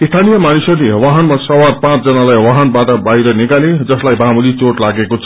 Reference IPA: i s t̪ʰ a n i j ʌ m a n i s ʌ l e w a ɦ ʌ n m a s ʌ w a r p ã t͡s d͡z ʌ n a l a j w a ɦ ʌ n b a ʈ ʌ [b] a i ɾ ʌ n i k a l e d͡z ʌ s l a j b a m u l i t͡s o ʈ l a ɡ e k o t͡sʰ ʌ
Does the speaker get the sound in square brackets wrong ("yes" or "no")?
no